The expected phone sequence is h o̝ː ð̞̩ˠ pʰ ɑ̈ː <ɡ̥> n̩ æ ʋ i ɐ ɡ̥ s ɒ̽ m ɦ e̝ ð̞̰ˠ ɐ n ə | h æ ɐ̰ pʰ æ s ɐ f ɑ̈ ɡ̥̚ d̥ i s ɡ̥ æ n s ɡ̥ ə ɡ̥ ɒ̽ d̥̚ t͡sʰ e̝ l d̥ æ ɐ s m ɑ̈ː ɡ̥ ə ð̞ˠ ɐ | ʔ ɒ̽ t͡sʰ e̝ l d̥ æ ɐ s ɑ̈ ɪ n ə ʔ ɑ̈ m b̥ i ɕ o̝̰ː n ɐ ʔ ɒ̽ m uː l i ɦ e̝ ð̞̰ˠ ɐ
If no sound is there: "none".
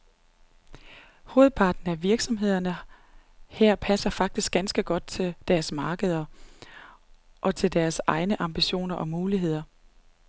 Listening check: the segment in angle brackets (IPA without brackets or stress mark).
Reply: d̥